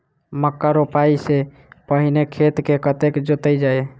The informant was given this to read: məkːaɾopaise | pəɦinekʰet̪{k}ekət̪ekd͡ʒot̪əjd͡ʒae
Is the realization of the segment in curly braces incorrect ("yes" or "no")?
no